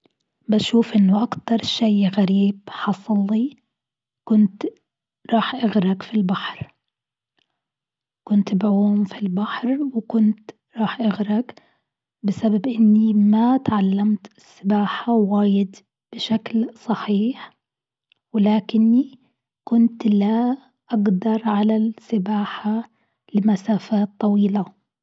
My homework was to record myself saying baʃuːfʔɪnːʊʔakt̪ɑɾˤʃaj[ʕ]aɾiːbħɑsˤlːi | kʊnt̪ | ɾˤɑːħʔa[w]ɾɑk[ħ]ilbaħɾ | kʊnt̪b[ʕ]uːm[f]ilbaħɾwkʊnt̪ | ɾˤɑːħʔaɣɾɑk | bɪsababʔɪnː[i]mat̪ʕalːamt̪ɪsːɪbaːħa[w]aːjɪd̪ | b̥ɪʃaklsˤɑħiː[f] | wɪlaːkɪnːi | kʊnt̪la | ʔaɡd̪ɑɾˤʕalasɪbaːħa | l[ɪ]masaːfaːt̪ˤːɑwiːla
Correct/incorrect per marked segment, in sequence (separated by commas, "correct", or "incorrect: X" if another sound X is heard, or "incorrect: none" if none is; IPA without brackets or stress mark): incorrect: ɣ, incorrect: ɣ, incorrect: f, correct, correct, correct, correct, incorrect: ħ, correct